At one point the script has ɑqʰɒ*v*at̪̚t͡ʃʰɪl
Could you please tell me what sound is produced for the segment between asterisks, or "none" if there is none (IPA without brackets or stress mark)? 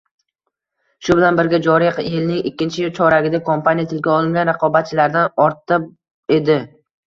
b